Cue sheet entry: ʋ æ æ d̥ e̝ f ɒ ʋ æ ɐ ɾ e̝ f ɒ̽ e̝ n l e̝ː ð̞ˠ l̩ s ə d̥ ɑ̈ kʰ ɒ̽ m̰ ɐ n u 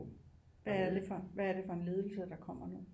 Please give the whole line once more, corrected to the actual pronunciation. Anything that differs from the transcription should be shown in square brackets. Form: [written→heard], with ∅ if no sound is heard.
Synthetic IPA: ʋ æ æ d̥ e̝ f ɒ ʋ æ ɐ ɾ e̝ f ɒ̽ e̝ n l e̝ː ð̞ˠ l̩ s ə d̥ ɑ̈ kʰ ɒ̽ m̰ ɐ n u